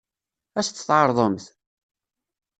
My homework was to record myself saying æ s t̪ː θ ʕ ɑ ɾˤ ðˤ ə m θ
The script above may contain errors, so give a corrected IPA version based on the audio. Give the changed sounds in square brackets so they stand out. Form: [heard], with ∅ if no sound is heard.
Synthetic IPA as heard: æ s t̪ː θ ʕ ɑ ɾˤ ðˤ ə m θ